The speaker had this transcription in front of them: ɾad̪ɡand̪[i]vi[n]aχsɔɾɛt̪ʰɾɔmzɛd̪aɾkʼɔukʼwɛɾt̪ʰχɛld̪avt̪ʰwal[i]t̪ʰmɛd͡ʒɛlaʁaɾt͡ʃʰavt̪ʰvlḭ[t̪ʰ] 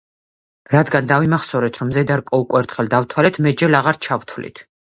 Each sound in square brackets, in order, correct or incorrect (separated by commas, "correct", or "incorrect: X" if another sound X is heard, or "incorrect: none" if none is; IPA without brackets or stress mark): incorrect: a, incorrect: m, incorrect: ɛ, correct